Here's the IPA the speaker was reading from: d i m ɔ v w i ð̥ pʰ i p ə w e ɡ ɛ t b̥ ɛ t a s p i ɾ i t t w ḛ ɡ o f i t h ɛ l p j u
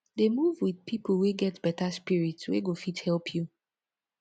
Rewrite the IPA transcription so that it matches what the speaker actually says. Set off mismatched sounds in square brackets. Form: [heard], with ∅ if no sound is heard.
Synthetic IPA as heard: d [e] m [u] v w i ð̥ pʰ i p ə w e ɡ ɛ t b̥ ɛ t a s p i [ɹ] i t [s] w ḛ ɡ o f i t h ɛ l [pʰ] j u